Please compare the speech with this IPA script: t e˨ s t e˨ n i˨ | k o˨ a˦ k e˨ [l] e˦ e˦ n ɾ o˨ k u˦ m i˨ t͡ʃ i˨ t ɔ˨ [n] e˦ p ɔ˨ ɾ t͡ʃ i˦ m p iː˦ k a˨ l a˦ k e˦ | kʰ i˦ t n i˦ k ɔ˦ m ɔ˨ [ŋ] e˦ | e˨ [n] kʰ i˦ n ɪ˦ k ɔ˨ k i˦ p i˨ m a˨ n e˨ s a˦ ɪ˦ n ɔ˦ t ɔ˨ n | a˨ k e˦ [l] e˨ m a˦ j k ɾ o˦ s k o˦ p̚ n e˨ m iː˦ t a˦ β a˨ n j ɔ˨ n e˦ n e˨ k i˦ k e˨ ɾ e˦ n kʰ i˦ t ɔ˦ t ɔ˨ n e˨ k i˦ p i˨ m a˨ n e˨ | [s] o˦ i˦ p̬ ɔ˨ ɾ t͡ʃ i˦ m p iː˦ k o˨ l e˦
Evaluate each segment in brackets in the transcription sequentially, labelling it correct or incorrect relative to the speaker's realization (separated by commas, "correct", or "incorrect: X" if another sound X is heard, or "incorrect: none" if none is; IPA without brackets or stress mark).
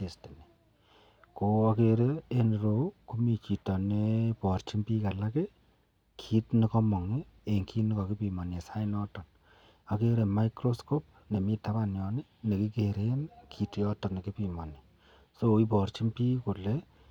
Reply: incorrect: ɾ, correct, correct, incorrect: ŋ, incorrect: ɾ, correct